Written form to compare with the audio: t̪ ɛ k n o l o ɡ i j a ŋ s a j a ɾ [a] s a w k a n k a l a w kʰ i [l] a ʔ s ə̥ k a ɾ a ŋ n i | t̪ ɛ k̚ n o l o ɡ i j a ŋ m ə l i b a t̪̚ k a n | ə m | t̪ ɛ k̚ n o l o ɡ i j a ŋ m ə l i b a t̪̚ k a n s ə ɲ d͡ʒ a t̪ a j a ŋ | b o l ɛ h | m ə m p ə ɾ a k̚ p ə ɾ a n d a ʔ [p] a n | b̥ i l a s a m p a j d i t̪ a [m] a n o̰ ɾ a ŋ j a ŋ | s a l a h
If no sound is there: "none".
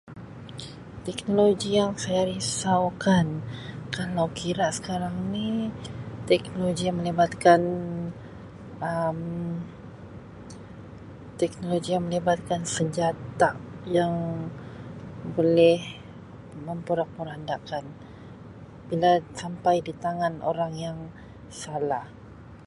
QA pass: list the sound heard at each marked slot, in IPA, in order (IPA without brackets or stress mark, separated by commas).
i, ɾ, k, ŋ